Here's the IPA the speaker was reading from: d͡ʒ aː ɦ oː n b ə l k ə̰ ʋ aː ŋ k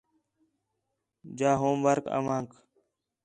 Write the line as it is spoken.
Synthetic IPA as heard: d͡ʒ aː ɦ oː m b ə ɾ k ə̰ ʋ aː ŋ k